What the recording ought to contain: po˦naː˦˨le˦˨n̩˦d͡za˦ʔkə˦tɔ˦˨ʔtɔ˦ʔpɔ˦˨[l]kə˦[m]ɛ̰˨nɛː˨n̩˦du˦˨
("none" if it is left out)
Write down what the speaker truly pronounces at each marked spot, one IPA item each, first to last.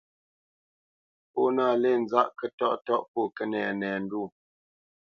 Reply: none, n

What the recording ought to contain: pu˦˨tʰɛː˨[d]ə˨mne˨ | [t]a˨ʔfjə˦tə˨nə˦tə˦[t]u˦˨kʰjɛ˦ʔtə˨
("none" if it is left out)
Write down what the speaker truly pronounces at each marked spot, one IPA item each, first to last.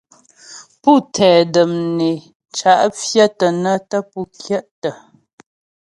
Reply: d, t͡ʃ, p

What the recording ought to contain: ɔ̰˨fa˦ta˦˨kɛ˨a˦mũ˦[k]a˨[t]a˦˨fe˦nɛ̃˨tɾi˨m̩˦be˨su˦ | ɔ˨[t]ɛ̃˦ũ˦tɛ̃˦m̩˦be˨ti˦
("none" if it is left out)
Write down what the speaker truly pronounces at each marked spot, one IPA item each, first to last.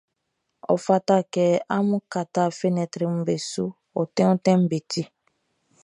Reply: k, t, t

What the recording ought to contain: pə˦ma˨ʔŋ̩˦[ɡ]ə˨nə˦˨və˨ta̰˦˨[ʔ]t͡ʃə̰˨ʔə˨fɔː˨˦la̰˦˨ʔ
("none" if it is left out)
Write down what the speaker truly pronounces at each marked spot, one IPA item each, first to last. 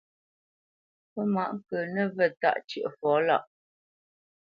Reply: k, ʔ

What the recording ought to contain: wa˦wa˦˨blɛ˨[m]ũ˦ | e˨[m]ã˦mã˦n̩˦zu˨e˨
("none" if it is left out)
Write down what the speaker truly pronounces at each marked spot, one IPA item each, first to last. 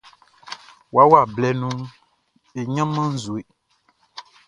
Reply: n, ɲ

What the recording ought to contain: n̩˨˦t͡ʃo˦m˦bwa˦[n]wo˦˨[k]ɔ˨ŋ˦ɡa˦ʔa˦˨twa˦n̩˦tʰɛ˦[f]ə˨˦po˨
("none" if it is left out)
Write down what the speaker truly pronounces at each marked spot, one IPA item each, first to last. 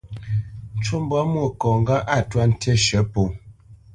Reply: m, k, ʃ

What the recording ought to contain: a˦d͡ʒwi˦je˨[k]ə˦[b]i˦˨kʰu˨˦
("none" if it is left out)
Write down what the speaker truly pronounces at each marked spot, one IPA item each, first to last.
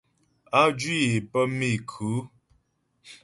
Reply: p, m

